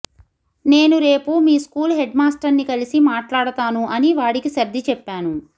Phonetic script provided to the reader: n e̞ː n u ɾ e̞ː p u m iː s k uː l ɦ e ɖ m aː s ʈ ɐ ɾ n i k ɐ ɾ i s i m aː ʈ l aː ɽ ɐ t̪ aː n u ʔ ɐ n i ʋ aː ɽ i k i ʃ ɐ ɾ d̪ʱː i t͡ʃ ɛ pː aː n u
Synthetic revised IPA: n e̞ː n u ɾ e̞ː p u m iː s k uː l ɦ e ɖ m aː s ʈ ɐ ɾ n i k ɐ l i s i m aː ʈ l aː ɽ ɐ t̪ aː n u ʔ ɐ n i ʋ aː ɽ i k i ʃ ɐ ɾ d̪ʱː i t͡ʃ ɛ pː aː n u